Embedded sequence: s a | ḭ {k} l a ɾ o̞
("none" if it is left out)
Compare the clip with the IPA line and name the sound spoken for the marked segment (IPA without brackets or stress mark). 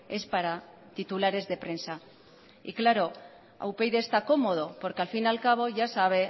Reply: k